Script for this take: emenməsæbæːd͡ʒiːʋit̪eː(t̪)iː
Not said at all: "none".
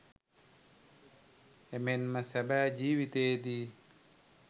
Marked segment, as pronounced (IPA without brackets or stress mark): d̪